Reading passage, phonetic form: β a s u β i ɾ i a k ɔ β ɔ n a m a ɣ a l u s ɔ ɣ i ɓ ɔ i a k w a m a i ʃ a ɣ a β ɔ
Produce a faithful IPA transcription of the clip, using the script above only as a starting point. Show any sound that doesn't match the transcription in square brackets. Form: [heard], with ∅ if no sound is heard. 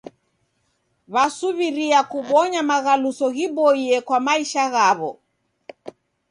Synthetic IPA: β a s u β i ɾ i a k [u] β ɔ [ɲ] a m a ɣ a l u s ɔ ɣ i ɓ ɔ i [ɛ] k w a m a i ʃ a ɣ a β ɔ